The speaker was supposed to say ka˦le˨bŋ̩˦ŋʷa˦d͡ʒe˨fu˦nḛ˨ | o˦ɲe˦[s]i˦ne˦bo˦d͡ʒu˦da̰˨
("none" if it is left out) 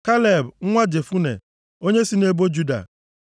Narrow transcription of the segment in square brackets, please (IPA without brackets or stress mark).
s